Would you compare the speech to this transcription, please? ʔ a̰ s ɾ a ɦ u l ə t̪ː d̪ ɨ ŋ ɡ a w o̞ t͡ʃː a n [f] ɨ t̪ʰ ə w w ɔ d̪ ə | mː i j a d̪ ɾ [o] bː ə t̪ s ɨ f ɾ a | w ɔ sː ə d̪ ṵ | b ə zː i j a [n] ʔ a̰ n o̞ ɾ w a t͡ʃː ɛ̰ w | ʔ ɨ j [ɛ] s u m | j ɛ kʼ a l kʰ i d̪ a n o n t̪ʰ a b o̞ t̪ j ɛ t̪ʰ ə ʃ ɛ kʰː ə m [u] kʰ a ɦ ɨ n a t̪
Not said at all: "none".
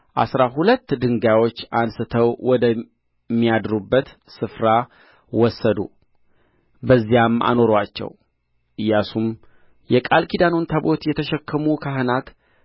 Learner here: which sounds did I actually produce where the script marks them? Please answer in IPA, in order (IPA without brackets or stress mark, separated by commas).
s, u, m, a, u